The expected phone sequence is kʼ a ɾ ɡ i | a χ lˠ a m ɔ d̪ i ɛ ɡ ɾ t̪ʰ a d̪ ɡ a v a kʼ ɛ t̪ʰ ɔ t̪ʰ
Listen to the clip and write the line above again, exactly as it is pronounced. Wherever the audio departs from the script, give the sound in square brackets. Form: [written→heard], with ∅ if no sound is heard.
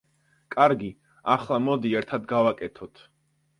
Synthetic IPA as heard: kʼ a ɾ ɡ i | a χ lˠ a m ɔ d̪ i ɛ [ɡ→∅] ɾ t̪ʰ a d̪ ɡ a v a kʼ ɛ t̪ʰ ɔ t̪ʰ

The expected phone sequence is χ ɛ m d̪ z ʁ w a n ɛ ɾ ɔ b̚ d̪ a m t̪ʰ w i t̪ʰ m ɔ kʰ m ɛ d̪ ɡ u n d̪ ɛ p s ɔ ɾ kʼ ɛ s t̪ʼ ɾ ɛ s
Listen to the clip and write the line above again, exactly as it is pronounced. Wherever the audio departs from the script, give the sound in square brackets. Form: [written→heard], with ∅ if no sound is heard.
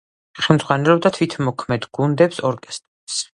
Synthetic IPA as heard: χ ɛ m d̪ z ʁ w a n ɛ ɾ ɔ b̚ d̪ a [m→∅] t̪ʰ w i t̪ʰ m ɔ kʰ m ɛ d̪ ɡ u n d̪ ɛ p s ɔ ɾ kʼ ɛ s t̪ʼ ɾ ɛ s

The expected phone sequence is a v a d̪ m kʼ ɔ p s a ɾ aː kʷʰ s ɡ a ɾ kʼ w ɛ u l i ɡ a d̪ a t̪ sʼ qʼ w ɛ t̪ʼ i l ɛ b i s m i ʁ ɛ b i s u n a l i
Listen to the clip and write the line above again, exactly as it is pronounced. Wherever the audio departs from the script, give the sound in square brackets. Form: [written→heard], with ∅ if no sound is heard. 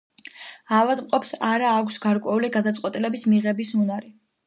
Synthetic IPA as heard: a v a d̪ m [kʼ→qʼ] ɔ p s a ɾ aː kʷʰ s ɡ a ɾ kʼ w ɛ u l i ɡ a d̪ a t̪ sʼ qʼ w ɛ t̪ʼ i l ɛ b i s m i ʁ ɛ b i s u n a [l→ɾ] i

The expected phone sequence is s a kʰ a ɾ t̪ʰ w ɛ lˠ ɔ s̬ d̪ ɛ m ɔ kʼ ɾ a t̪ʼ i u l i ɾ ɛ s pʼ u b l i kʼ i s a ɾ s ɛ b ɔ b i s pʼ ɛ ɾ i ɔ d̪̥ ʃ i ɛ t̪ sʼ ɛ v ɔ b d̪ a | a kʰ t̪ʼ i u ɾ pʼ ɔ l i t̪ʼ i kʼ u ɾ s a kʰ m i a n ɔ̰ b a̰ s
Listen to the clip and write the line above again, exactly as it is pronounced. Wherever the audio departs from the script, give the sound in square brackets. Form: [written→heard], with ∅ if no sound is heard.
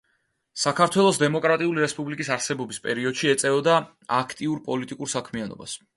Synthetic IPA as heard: s a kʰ a ɾ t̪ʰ w ɛ lˠ ɔ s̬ d̪ ɛ m ɔ kʼ ɾ a t̪ʼ i u l i ɾ ɛ s pʼ u b l i kʼ i s a ɾ s ɛ b ɔ b i s pʼ ɛ ɾ i ɔ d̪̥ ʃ i ɛ t̪ sʼ ɛ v ɔ [b→∅] d̪ a | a kʰ t̪ʼ i u ɾ pʼ ɔ l i t̪ʼ i kʼ u ɾ s a kʰ m i a n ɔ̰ b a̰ s

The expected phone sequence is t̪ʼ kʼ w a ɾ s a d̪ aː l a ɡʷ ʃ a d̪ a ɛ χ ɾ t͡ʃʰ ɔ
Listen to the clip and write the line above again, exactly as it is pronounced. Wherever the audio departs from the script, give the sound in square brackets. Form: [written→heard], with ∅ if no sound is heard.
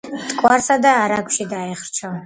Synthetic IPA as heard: t̪ʼ kʼ w a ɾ s a d̪ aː [l→ɾ] a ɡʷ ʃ [a→i] d̪ a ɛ χ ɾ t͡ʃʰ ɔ

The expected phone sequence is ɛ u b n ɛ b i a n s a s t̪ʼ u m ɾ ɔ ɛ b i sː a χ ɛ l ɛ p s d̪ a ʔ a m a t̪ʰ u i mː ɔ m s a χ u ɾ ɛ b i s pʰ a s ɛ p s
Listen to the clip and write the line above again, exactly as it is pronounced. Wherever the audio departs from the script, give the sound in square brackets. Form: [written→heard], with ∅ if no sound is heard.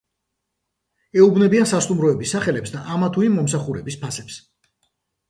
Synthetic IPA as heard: ɛ u b n ɛ b i a n s a s t̪ʼ u m ɾ ɔ ɛ b i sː a χ ɛ l ɛ p s d̪ a ʔ a m a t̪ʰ u i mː ɔ m s a χ u ɾ ɛ b i s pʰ a s ɛ p s

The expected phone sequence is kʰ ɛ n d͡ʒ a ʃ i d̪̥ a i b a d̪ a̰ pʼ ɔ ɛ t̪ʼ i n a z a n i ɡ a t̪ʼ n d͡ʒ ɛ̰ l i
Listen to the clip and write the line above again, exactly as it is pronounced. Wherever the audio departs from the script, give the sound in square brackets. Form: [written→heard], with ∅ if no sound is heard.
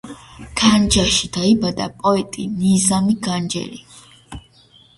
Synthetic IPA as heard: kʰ [ɛ→a] n d͡ʒ a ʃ i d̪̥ a i b a d̪ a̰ pʼ ɔ ɛ t̪ʼ i n [a→i] z a [n→m] i ɡ a [t̪ʼ→∅] n d͡ʒ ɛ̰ l i

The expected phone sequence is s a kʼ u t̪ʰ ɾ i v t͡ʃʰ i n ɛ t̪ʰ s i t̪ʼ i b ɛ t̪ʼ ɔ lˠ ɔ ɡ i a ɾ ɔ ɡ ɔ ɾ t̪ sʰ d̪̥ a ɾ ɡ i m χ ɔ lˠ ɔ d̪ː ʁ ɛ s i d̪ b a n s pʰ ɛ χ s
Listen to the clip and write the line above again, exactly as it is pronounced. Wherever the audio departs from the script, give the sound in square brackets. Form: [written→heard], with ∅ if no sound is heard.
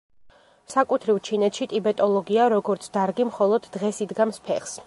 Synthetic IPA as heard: s a kʼ u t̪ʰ ɾ i v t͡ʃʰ i n ɛ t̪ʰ [s→ʃ] i t̪ʼ i b ɛ t̪ʼ ɔ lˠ ɔ ɡ i a ɾ ɔ ɡ ɔ ɾ t̪ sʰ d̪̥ a ɾ ɡ i m χ ɔ lˠ ɔ d̪ː ʁ ɛ s i d̪ [b→ɡ] a [n→m] s pʰ ɛ χ s

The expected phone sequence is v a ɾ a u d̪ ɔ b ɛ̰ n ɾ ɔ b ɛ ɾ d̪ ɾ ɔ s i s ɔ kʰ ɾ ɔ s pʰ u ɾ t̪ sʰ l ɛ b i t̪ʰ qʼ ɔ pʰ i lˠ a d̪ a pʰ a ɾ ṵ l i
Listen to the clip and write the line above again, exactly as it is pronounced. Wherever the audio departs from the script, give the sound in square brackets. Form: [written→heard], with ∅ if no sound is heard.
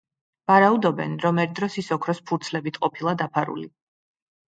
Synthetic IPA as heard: v a ɾ a u d̪ ɔ b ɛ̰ n ɾ ɔ [b→m] ɛ ɾ d̪ ɾ ɔ s i s ɔ kʰ ɾ ɔ s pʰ u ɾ t̪ sʰ l ɛ b i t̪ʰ qʼ ɔ pʰ i lˠ a d̪ a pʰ a ɾ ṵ l i

